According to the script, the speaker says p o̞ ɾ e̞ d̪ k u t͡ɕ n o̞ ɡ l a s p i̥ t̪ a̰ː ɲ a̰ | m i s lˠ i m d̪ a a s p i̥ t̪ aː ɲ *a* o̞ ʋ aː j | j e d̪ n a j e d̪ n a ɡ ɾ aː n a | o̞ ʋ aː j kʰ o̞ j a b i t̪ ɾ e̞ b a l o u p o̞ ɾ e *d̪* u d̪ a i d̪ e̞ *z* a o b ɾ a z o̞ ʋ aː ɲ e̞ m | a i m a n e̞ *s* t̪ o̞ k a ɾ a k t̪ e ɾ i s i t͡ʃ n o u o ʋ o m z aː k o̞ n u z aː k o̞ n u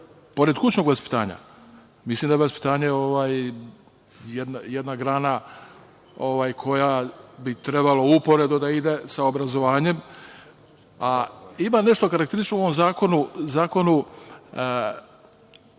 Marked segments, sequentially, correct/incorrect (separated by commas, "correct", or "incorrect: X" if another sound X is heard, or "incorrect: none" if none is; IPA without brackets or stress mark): incorrect: e, correct, incorrect: s, incorrect: ʃ